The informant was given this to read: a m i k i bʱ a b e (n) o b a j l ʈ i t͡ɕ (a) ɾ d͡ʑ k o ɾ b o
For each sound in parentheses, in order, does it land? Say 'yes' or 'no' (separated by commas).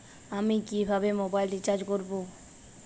no, yes